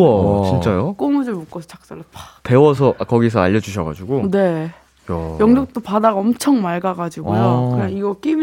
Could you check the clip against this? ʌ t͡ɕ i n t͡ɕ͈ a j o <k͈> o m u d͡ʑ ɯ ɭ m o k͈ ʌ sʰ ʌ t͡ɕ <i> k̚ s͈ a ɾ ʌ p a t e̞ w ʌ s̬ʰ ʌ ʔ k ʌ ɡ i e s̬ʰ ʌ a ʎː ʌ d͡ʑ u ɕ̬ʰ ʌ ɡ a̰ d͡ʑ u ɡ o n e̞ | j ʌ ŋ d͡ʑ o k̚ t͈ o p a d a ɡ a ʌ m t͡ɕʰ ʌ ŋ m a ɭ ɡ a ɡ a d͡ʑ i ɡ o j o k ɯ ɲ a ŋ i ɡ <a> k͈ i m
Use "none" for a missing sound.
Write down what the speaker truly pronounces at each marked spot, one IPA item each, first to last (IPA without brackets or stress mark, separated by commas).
k͈, a, ʌ